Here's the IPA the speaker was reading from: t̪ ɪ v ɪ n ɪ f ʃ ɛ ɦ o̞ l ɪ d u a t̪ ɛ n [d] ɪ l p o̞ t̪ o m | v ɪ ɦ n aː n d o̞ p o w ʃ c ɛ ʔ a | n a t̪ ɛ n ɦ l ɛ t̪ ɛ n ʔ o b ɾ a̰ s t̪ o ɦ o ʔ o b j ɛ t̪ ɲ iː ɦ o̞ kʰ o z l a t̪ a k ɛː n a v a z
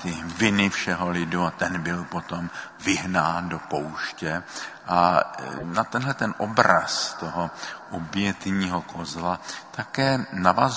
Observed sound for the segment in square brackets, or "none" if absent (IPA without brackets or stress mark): b